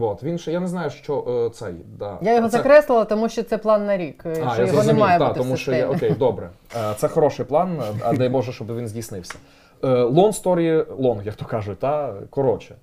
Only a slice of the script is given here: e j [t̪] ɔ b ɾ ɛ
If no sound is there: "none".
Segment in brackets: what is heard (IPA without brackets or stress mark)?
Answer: d̪